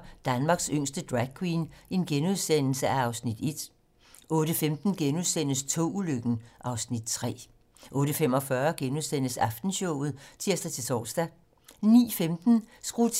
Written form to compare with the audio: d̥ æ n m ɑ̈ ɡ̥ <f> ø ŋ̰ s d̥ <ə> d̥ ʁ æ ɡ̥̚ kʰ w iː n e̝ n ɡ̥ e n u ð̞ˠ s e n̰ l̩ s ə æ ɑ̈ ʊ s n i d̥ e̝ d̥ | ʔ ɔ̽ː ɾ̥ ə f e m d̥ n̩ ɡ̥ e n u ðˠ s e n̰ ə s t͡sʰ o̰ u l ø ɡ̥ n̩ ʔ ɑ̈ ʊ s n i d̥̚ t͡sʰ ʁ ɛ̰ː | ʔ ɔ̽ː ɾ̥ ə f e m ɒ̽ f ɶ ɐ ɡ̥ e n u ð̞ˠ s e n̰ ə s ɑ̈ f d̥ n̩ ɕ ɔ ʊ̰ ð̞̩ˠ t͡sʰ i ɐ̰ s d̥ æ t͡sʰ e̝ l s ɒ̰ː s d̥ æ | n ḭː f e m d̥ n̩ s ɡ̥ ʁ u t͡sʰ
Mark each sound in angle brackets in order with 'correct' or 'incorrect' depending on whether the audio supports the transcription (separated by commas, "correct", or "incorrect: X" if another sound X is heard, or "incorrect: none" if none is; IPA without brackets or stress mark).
incorrect: s, correct